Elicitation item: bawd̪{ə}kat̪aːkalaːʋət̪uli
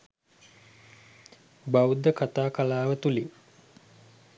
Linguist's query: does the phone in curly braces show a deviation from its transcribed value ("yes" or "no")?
no